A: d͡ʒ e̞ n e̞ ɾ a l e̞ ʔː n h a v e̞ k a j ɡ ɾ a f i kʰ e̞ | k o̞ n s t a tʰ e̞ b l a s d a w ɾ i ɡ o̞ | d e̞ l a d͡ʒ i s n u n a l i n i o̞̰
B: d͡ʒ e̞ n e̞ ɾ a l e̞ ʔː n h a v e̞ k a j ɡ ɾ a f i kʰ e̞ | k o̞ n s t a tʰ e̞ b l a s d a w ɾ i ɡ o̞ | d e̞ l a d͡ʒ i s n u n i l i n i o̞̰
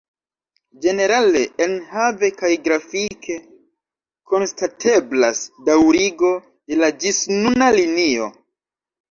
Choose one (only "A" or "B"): A